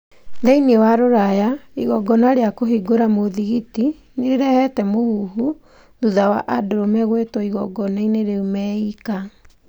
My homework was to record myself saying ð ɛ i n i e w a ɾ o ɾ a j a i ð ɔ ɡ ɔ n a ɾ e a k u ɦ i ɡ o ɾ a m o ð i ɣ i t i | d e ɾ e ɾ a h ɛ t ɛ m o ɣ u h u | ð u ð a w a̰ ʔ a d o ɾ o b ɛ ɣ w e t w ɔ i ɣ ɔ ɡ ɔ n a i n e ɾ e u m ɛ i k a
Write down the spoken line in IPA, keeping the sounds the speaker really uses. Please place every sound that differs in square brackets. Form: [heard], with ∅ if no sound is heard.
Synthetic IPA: ð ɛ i n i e w a ɾ o ɾ a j a i [ɣ] ɔ ɡ ɔ n a ɾ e a k [o] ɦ i ɡ o ɾ a m o ð i ɣ i t i | [n] e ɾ e ɾ [ɛ] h ɛ t ɛ m o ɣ u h u | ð u ð a w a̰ ʔ a d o ɾ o [m] ɛ ɣ w e t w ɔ i ɣ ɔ ɡ ɔ n a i n e ɾ e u m ɛ i k a

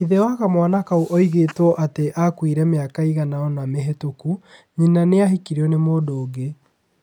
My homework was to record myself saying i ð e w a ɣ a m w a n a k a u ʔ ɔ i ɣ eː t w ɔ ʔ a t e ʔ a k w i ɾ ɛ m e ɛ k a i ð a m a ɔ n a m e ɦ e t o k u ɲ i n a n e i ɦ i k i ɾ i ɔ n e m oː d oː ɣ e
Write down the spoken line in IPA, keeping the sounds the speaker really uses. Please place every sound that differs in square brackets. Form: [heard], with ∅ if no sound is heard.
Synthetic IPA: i ð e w a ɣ a m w a n a k a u ʔ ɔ i ɣ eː t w ɔ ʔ a t e ʔ a k w i ɾ ɛ m e [a] k a i [ɣ] a [n] a ɔ n a m e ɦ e t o k u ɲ i n a n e [a] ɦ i k i ɾ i ɔ n e m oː d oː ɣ e

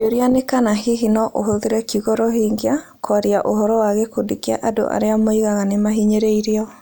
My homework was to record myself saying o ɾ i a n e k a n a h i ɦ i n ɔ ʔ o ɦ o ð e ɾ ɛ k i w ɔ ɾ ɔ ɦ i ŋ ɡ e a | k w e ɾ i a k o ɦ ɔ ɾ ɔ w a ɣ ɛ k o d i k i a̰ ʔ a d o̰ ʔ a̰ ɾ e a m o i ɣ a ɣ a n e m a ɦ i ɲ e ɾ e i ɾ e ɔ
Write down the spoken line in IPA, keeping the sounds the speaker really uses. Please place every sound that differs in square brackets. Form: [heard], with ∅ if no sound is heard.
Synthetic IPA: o ɾ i a n e k a n a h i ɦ i n ɔ ʔ o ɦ o ð e ɾ ɛ k i [ɣ] ɔ ɾ ɔ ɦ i ŋ ɡ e a | k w [a] ɾ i a [ʔ] o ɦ ɔ ɾ ɔ w a ɣ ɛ k o d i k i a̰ ʔ a d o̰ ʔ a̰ ɾ e a m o i ɣ a ɣ a n e m a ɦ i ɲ e ɾ e i ɾ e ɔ

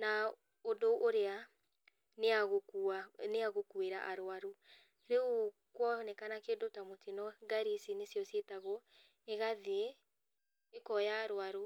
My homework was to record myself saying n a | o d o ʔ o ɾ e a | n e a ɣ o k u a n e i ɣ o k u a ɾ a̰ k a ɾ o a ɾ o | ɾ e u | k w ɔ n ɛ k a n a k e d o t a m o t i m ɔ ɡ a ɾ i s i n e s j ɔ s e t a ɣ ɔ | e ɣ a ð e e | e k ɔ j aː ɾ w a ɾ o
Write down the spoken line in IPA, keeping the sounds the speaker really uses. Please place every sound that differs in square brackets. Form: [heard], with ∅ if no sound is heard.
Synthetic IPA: n a | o d o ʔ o ɾ e a | n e a ɣ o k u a n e [a] ɣ o k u [e] ɾ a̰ [ʔ] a ɾ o a ɾ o | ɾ e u | k w ɔ n ɛ k a n a k e d o t a m o t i [n] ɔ ɡ a ɾ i s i n e s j ɔ s e t a ɣ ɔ | e ɣ a ð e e | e k ɔ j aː ɾ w a ɾ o

